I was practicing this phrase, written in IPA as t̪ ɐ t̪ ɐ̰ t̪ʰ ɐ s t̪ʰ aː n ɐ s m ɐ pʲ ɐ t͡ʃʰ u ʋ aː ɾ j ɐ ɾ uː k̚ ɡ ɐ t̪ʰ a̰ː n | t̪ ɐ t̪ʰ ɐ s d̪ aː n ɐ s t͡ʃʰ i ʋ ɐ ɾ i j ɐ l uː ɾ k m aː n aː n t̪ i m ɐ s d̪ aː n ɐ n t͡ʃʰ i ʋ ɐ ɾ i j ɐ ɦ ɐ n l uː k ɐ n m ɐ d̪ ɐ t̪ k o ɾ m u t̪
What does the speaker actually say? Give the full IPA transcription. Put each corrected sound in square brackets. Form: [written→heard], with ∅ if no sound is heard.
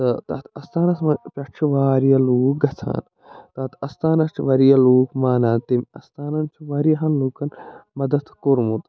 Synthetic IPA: t̪ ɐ t̪ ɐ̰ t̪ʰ ɐ s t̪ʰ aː n ɐ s m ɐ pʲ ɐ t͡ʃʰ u ʋ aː ɾ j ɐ [ɾ→l] uː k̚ ɡ ɐ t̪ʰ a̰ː n | t̪ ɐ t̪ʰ ɐ s [d̪→t̪] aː n ɐ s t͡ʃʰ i ʋ ɐ ɾ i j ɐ l uː [ɾ→∅] k m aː n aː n t̪ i m ɐ s [d̪→t̪] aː n ɐ n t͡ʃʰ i ʋ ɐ ɾ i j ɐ ɦ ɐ n l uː k ɐ n m ɐ d̪ ɐ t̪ k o ɾ m u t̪